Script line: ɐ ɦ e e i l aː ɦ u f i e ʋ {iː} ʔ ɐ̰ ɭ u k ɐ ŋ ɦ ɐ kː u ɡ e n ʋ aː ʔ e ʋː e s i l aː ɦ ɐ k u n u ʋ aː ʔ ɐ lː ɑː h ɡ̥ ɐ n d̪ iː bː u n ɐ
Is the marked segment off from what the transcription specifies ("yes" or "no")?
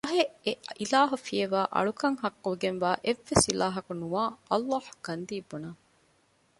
yes